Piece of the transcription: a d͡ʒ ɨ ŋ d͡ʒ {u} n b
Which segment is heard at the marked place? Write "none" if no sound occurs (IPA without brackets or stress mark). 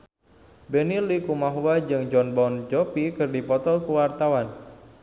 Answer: ɔ